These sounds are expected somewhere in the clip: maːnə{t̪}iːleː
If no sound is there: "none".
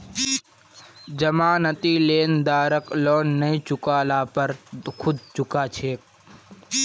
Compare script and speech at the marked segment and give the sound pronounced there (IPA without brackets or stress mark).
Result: t̪